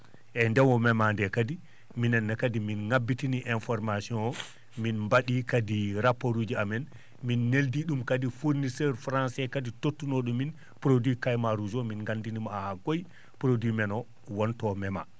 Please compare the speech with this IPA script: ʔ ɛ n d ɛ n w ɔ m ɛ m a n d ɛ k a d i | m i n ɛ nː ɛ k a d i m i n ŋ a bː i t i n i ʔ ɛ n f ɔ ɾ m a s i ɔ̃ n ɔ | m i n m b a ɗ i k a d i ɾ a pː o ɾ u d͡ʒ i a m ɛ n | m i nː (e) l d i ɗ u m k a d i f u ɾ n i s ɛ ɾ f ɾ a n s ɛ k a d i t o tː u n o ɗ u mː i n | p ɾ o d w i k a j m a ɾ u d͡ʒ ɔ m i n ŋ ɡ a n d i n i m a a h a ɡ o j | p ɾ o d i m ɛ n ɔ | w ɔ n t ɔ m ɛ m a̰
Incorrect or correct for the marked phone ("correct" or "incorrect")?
correct